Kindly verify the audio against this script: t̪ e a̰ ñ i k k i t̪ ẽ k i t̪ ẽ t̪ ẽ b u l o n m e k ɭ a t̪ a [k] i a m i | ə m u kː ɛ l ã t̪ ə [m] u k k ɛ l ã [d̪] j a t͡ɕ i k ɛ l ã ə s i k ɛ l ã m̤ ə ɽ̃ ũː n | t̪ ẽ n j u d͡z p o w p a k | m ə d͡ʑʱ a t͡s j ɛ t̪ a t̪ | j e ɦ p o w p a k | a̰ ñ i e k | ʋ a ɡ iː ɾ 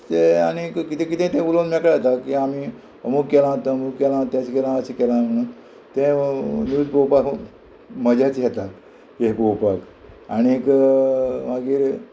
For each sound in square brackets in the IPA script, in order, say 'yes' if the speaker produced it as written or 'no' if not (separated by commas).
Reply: yes, yes, no